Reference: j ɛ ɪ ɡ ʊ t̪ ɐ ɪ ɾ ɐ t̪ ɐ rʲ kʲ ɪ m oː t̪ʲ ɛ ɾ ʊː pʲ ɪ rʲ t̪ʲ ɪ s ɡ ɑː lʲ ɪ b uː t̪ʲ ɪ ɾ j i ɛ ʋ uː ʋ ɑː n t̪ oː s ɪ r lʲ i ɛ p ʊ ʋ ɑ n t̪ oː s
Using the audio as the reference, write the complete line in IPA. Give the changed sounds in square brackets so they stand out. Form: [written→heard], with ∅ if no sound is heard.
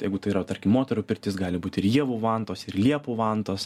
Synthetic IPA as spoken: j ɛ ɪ ɡ ʊ t̪ ɐ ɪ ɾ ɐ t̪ ɐ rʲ kʲ ɪ m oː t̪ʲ ɛ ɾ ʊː pʲ ɪ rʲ t̪ʲ ɪ s ɡ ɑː lʲ ɪ b uː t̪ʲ ɪ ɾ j i ɛ ʋ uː ʋ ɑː n t̪ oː s ɪ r lʲ i ɛ p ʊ ʋ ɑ n t̪ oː s